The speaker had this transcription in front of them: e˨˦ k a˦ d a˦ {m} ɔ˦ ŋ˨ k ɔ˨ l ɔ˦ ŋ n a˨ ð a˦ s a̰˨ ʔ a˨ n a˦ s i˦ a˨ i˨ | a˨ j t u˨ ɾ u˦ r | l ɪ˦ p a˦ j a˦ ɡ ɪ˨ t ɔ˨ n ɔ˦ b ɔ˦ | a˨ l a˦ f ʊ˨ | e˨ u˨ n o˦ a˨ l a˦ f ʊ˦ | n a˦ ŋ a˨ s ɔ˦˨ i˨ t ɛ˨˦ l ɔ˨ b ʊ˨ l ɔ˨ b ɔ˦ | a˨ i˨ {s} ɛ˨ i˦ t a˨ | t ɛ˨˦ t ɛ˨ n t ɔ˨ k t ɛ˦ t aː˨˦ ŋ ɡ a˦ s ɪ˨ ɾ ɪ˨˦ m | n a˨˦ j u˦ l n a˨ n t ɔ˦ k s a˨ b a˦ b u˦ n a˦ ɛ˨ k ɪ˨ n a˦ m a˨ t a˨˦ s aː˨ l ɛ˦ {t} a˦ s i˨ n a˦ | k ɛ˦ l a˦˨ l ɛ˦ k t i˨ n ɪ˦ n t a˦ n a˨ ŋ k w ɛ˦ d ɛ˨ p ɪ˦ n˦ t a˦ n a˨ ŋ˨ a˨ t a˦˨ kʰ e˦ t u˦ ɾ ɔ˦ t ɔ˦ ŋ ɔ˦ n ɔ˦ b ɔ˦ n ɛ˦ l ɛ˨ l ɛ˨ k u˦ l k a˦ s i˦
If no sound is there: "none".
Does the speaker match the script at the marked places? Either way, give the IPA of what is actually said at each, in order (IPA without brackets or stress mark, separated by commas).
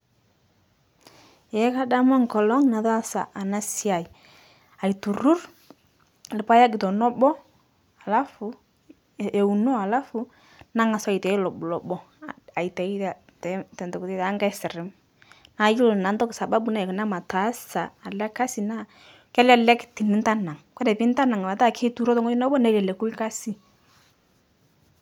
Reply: m, t, k